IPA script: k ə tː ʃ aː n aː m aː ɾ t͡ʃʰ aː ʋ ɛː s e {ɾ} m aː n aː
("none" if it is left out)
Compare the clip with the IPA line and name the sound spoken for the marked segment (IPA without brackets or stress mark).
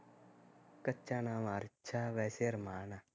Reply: ɾ